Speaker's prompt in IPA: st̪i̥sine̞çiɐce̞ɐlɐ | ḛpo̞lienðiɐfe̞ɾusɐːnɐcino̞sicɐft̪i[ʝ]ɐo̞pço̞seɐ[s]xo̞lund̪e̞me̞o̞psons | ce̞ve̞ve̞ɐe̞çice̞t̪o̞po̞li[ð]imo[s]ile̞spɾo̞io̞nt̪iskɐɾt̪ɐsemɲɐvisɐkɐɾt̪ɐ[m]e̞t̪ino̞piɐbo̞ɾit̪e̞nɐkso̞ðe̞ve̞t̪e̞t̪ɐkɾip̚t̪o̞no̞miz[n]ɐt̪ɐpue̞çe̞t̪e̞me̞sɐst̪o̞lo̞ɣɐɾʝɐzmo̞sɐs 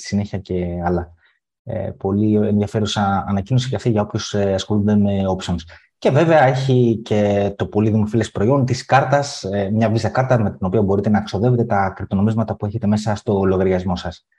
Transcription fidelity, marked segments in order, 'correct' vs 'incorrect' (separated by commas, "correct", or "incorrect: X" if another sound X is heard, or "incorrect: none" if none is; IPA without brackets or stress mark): correct, correct, correct, incorrect: f, correct, incorrect: m